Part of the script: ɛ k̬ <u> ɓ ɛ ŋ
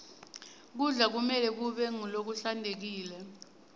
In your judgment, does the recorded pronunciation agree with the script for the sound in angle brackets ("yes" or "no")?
yes